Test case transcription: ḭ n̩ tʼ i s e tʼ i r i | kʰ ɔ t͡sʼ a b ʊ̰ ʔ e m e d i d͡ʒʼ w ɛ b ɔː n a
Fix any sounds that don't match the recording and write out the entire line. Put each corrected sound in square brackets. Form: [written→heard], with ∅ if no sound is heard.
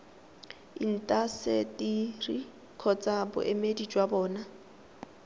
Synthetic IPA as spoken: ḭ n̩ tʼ [i→a] s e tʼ i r i | kʰ ɔ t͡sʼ a b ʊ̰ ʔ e m e d i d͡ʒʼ w [ɛ→a] b ɔː n a